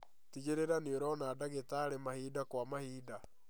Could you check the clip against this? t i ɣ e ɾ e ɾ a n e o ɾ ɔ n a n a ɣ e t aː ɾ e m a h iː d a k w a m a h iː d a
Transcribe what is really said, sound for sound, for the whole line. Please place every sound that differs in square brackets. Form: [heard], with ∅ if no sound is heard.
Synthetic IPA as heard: t i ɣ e ɾ e ɾ a n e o ɾ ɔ n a [d] a ɣ e t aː ɾ e m a h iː d a k w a m a h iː d a